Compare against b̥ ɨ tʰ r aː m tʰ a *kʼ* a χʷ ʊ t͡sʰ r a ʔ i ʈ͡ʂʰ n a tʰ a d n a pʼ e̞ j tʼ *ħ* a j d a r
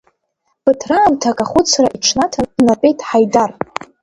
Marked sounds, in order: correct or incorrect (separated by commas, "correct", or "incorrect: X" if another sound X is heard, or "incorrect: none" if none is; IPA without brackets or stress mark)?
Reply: correct, correct